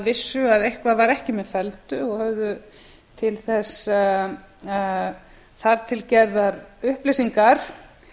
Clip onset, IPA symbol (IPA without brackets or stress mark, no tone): v